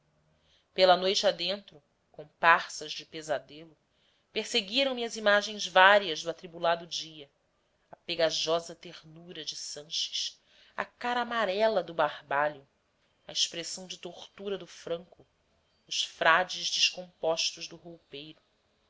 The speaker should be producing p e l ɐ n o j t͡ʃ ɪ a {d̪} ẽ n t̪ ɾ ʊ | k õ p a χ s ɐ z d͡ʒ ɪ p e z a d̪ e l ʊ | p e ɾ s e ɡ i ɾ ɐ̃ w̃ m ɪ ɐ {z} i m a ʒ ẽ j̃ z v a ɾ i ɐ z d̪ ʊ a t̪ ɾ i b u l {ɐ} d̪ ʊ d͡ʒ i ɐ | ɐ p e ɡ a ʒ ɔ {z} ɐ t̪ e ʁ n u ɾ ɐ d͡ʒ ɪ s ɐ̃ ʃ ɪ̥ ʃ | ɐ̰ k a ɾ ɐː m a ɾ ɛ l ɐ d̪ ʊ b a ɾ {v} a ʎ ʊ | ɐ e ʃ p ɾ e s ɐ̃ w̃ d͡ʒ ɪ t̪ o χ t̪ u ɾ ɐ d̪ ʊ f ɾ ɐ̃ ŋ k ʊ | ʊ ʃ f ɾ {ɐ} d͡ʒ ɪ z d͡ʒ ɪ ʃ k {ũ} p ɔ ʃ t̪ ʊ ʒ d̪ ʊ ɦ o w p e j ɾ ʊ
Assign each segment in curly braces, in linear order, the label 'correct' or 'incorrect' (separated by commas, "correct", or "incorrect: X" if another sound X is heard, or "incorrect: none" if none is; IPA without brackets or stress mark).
correct, correct, incorrect: a, correct, incorrect: b, incorrect: a, incorrect: õ